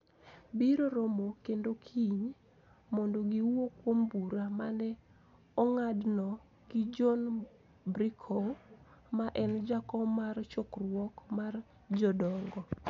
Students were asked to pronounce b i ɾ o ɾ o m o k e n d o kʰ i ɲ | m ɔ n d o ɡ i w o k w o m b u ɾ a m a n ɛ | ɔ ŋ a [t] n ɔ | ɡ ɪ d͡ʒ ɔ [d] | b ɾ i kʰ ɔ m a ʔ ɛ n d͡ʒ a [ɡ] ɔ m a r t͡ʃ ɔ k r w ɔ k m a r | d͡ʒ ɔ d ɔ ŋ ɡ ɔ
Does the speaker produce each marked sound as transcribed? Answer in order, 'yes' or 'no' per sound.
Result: no, no, no

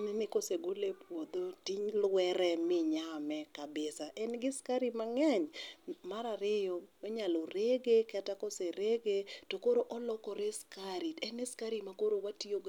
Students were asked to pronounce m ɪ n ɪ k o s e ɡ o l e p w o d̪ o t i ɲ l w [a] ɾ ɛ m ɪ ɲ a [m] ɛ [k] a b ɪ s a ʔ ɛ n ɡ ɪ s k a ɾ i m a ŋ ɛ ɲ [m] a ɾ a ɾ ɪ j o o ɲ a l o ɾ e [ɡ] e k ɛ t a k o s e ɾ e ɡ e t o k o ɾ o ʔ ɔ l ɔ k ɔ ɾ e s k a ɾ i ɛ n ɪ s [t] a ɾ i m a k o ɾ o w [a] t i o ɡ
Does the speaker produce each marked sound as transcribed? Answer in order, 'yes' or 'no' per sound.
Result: no, yes, yes, yes, yes, no, yes

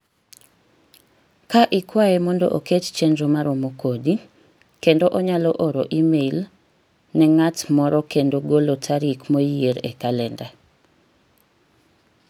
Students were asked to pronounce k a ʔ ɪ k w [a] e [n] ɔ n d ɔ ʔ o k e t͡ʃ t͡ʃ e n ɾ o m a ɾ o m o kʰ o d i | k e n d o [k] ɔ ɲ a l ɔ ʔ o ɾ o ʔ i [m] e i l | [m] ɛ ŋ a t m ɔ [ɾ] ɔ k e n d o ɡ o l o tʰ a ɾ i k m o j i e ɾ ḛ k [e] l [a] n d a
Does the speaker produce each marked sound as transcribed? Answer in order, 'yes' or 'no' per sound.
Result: yes, no, no, yes, no, yes, no, no

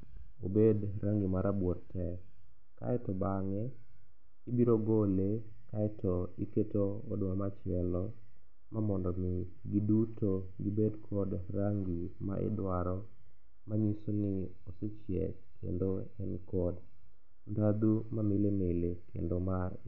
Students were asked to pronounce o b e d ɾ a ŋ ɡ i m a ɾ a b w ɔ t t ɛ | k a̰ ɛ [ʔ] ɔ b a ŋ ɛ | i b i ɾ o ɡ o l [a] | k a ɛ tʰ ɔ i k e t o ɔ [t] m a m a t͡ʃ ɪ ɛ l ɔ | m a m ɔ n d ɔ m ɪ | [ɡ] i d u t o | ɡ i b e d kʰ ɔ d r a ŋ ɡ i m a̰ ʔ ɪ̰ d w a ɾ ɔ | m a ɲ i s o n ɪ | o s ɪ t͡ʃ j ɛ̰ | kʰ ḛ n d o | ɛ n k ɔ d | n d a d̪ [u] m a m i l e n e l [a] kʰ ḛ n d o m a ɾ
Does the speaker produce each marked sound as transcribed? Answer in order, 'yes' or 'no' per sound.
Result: no, no, no, yes, yes, no

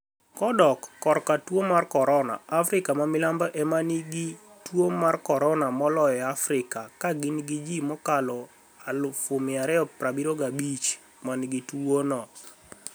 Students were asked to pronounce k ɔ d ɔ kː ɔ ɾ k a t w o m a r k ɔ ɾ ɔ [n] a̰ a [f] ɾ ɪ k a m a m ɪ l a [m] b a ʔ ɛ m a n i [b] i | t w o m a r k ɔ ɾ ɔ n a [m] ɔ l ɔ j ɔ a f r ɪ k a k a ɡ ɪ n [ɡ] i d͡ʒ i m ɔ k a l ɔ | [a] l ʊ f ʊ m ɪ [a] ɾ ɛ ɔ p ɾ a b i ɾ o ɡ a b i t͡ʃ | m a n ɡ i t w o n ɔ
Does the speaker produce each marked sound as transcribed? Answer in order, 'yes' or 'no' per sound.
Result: yes, yes, yes, no, yes, yes, yes, yes

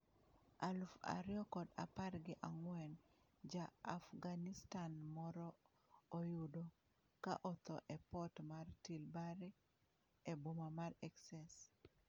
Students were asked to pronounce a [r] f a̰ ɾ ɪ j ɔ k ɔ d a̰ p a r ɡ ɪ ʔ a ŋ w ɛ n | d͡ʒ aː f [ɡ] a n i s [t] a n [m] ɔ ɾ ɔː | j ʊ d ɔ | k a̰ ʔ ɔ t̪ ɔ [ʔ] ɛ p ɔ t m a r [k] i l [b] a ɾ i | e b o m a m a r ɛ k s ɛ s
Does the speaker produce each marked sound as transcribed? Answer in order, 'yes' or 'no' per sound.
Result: no, yes, yes, yes, yes, no, yes

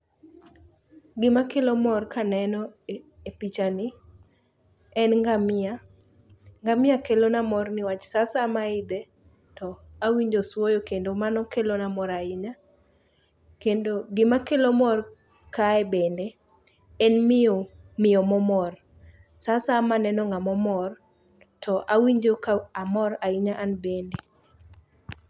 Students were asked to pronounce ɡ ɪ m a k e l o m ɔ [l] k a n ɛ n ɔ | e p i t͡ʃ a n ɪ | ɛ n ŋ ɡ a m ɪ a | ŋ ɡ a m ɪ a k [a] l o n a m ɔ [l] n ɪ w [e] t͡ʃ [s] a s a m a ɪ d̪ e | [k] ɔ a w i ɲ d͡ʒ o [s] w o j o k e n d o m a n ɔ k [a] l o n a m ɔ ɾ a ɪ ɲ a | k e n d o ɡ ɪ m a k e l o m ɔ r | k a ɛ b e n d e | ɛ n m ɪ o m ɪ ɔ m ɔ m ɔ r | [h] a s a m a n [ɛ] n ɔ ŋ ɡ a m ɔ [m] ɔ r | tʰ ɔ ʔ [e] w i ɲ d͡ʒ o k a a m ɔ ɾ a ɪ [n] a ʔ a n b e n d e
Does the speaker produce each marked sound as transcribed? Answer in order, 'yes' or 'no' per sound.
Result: no, no, no, no, yes, no, yes, no, no, yes, yes, no, no

